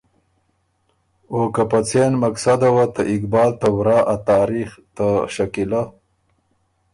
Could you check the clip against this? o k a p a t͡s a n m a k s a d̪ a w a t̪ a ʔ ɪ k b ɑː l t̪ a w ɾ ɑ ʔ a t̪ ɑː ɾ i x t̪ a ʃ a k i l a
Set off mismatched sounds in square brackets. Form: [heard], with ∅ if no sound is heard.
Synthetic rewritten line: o k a p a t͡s [e] n m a k s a d̪ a w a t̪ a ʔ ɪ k b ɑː l t̪ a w ɾ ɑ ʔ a t̪ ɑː ɾ i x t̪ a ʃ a k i l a